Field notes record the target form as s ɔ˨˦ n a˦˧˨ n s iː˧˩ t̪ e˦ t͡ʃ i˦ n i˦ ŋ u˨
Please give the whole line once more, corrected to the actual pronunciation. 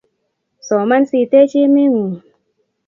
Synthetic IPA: s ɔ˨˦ m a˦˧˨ n s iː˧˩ t̪ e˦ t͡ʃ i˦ m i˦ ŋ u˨